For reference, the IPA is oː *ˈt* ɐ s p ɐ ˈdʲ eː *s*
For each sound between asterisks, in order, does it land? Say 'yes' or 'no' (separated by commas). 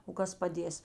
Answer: no, yes